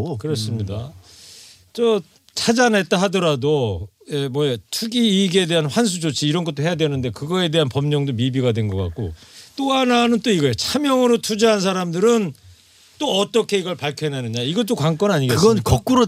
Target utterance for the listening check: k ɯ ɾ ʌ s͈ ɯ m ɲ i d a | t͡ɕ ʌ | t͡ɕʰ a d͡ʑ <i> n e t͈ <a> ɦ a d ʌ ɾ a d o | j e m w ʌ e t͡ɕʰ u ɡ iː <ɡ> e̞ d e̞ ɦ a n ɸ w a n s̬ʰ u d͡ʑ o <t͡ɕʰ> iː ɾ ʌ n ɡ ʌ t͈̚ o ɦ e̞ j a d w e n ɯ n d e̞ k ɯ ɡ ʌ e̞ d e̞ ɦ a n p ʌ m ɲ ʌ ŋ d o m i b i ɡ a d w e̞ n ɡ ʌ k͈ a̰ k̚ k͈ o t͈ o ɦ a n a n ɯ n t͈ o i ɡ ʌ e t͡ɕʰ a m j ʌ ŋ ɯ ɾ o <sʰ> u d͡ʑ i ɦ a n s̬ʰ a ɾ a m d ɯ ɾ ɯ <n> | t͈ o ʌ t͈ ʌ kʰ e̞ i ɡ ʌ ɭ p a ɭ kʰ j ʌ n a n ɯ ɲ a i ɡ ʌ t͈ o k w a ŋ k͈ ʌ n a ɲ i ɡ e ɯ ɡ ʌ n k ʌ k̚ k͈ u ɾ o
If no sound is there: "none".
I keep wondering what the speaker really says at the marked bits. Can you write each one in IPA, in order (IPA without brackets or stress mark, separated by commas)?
a, a, ɡ, t͡ɕʰ, tʰ, n